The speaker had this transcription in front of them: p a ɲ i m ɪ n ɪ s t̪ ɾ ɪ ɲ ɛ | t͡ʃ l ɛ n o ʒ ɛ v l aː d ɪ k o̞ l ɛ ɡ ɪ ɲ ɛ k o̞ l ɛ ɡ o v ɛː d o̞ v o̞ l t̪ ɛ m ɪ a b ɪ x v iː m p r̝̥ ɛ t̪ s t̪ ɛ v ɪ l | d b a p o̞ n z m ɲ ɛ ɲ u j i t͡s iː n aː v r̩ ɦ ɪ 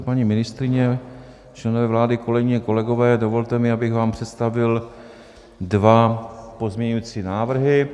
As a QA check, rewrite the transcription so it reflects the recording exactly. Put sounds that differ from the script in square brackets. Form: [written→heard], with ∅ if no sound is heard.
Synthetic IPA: p a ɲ i m ɪ n ɪ s t̪ ɾ ɪ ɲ ɛ | t͡ʃ l ɛ n o [ʒ→v] ɛ v l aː d ɪ k o̞ l ɛ ɡ ɪ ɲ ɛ k o̞ l ɛ ɡ o v ɛː d o̞ v o̞ l t̪ ɛ m ɪ a b ɪ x v [iː→aː] m p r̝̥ ɛ t̪ s t̪ [ɛ→a] v ɪ l | d [b→v] a p o̞ [n→∅] z m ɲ ɛ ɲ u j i t͡s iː n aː v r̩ ɦ ɪ